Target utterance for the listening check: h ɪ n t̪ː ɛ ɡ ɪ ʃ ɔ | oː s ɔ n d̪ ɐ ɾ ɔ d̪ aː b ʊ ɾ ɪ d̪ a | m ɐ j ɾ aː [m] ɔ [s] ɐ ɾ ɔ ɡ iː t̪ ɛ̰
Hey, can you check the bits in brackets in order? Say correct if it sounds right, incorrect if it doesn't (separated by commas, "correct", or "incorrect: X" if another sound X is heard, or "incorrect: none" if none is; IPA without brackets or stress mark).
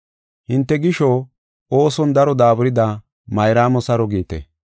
correct, correct